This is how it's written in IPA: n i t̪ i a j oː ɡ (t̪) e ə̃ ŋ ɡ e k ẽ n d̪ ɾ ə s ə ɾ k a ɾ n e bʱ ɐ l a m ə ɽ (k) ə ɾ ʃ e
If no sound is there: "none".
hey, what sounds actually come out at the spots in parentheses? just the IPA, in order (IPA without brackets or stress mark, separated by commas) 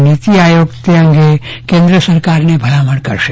t̪, k